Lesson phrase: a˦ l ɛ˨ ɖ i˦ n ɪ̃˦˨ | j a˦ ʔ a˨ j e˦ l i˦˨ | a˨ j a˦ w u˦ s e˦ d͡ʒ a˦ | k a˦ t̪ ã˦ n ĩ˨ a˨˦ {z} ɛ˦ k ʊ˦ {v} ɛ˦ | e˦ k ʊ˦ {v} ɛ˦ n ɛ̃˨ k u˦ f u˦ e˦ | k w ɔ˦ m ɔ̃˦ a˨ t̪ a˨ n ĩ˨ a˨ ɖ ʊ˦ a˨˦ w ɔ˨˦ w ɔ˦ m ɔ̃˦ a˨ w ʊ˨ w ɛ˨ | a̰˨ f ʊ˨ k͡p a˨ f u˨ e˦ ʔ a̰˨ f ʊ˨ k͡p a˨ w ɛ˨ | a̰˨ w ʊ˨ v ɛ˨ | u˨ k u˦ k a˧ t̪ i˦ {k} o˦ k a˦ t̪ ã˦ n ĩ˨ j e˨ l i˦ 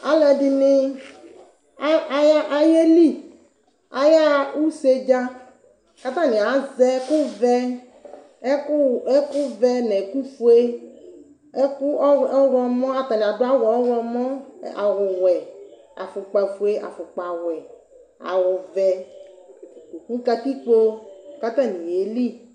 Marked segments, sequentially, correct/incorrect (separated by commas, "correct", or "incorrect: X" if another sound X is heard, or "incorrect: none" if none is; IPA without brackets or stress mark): correct, correct, correct, incorrect: k͡p